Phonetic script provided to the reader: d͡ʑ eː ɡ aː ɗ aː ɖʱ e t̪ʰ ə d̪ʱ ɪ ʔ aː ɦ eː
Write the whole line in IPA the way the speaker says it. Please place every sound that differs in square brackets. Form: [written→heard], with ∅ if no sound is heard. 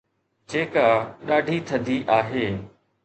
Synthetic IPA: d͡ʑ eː [ɡ→k] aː ɗ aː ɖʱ [e→i] t̪ʰ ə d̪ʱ [ɪ→i] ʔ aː ɦ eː